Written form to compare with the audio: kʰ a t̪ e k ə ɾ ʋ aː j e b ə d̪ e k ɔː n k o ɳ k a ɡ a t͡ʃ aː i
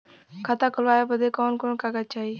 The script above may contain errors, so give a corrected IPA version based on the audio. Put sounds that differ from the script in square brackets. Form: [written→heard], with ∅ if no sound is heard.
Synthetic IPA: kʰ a t̪ [e→a] k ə [ɾ→l] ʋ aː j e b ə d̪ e k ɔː n k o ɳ k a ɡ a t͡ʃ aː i

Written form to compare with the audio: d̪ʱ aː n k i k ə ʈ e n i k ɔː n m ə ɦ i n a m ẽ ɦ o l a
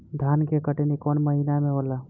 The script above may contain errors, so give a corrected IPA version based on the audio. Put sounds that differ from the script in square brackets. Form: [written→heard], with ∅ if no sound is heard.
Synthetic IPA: d̪ʱ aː n k [i→e] k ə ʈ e n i k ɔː n m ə ɦ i n a m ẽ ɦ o l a

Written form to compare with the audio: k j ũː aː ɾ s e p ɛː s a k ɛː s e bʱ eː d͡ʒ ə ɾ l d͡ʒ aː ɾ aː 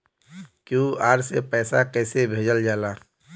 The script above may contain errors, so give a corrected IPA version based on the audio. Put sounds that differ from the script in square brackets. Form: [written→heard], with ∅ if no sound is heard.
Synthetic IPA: k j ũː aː ɾ s e p ɛː s a k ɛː s e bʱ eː d͡ʒ ə [ɾ→∅] l d͡ʒ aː [ɾ→l] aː

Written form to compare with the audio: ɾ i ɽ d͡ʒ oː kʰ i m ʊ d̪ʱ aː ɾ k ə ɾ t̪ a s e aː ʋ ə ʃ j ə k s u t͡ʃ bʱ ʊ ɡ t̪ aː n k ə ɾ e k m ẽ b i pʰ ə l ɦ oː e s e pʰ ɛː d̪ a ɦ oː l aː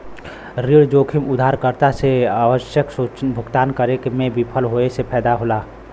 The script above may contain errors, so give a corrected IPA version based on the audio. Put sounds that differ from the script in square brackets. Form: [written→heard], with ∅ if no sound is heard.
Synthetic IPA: ɾ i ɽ d͡ʒ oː kʰ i m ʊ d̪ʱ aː ɾ k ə ɾ t̪ a s e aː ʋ ə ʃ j ə k s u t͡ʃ bʱ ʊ ɡ t̪ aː n k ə ɾ e k m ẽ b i pʰ ə l ɦ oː e s e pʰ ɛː d̪ a ɦ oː l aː

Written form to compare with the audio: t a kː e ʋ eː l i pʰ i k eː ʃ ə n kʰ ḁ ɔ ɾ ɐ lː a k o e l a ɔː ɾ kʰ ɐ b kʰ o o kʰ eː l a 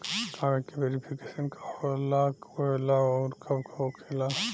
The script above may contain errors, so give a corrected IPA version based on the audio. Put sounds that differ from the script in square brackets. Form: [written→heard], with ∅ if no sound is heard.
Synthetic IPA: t a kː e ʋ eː [l→ɾ] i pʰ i k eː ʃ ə n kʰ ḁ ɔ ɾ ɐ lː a k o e l a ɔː ɾ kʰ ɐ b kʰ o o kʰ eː l a

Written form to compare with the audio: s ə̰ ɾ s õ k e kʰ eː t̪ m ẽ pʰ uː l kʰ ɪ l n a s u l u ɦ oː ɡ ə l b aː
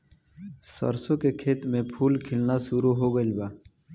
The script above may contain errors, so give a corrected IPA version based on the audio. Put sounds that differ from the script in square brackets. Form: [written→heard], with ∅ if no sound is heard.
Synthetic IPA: s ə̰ ɾ s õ k e kʰ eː t̪ m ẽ pʰ uː l kʰ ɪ l n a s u [l→ɾ] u ɦ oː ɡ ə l b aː

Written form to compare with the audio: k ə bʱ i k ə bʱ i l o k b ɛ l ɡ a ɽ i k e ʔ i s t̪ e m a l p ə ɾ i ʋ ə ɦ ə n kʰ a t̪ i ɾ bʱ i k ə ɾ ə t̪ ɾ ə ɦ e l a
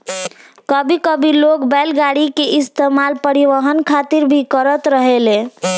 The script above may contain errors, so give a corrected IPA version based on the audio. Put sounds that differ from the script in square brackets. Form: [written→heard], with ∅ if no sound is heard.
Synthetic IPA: k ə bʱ i k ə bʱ i l o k b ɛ l ɡ a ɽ i k e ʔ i s t̪ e m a l p ə ɾ i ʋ ə ɦ ə n kʰ a t̪ i ɾ bʱ i k ə ɾ ə t̪ ɾ ə ɦ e l [a→e]

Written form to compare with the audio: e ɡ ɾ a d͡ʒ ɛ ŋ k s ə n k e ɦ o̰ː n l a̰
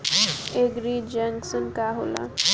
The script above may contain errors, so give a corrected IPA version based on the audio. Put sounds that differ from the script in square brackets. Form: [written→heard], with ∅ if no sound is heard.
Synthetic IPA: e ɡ ɾ [a→i] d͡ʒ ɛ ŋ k s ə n k [e→a] ɦ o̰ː [n→∅] l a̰

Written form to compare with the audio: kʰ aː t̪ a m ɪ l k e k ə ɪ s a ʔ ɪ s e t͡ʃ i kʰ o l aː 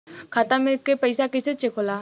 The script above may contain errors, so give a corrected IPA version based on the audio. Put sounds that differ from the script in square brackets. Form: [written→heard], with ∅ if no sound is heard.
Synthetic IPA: kʰ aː t̪ a m ɪ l k e [k→p] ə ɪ s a [ʔ→k] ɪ s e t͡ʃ [i→e] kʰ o l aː

